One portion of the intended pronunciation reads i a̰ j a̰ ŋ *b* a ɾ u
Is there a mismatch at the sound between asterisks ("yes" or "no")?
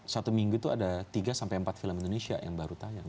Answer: no